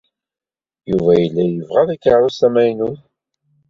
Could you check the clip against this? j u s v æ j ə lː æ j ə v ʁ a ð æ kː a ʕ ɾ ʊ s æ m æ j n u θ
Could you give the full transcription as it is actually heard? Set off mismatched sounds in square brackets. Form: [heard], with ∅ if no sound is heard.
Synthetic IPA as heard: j u [∅] v æ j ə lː æ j ə v ʁ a ð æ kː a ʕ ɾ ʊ s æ m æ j n u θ